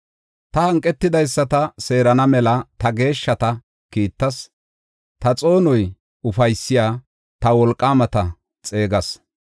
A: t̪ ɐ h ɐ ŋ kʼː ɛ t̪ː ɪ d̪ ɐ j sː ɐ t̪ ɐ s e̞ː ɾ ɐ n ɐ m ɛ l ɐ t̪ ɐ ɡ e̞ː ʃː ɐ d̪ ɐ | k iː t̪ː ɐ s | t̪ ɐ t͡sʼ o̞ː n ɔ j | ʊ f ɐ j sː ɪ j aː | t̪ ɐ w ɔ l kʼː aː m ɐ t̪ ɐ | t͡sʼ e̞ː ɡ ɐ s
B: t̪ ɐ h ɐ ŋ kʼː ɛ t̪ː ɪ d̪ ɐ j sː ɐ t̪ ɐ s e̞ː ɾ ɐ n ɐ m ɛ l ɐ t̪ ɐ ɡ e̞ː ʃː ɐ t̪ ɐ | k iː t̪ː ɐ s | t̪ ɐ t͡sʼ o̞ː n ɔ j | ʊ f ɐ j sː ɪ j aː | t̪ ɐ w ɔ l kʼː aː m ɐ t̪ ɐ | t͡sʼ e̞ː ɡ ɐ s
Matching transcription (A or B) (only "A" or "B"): B